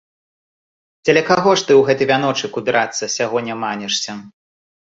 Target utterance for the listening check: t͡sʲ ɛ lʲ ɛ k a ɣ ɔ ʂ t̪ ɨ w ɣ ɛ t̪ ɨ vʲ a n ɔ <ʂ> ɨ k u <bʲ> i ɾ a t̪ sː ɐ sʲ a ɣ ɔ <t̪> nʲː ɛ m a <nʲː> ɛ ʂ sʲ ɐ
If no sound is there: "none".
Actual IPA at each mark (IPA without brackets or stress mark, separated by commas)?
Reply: t͡ʂ, bʲ, none, nʲ